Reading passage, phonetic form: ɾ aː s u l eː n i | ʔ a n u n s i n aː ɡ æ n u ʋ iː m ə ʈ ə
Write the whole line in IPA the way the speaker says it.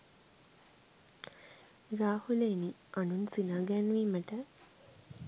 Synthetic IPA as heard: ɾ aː h u l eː n i | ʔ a n u n s i n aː ɡ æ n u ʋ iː m ə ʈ ə